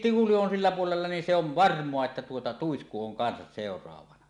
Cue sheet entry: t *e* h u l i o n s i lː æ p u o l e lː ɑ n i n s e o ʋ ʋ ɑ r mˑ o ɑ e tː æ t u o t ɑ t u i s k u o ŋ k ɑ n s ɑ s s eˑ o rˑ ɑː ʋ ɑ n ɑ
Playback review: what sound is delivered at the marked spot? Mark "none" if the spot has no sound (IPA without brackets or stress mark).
i